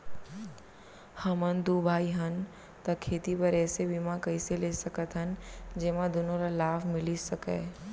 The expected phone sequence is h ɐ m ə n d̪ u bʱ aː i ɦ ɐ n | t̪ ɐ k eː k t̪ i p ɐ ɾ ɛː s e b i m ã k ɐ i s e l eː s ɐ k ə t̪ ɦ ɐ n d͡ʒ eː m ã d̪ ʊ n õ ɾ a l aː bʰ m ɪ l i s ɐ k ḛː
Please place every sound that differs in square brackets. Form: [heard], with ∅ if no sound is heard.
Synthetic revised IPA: h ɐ m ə n d̪ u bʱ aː i ɦ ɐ n | t̪ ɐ [kʰ] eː [∅] t̪ i p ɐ ɾ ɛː s e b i m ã k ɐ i s e l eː s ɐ k ə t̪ ɦ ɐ n d͡ʒ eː m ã d̪ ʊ n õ ɾ a l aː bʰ m ɪ l i s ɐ k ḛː